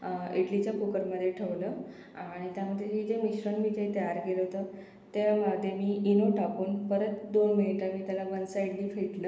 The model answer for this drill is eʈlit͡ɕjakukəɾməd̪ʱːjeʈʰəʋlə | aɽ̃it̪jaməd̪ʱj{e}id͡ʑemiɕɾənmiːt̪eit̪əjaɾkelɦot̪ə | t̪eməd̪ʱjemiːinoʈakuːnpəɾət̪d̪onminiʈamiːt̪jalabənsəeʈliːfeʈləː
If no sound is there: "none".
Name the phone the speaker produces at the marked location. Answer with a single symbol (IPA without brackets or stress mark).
e